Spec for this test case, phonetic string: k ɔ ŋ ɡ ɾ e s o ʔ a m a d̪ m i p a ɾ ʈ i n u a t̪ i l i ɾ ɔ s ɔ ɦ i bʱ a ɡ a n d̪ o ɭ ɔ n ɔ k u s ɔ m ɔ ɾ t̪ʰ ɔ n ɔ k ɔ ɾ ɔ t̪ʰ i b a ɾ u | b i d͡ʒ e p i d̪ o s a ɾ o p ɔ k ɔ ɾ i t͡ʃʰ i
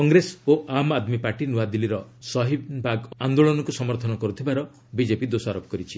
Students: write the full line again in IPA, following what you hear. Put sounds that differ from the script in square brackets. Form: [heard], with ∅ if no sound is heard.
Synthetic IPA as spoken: k ɔ ŋ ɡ ɾ e s o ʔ a m a d̪ m i p a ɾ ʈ i n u a [d̪] i l i ɾ ɔ s ɔ ɦ i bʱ a ɡ a n d̪ o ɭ ɔ n ɔ k u s ɔ m ɔ ɾ t̪ʰ ɔ n ɔ k ɔ ɾ [u] t̪ʰ i b a ɾ [ɔ] | b i d͡ʒ e p i d̪ o s a ɾ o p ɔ k ɔ ɾ i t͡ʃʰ i